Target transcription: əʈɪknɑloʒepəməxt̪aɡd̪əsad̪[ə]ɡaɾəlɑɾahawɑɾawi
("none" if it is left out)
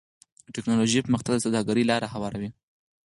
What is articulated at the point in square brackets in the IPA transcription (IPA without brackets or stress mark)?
ɑ